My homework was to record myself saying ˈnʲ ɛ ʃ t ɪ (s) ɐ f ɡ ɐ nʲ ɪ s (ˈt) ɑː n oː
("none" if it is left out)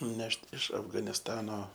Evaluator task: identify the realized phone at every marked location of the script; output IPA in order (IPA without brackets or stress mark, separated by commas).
ʃ, t